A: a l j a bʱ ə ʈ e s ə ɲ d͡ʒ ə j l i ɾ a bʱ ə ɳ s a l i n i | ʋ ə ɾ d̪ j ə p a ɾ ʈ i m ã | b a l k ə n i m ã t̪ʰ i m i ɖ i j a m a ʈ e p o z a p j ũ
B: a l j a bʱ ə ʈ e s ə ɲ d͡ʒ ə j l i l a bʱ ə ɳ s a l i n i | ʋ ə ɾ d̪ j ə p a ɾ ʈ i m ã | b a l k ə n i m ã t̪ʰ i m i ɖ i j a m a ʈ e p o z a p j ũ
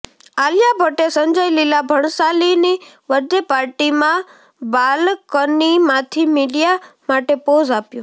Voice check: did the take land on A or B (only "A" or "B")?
B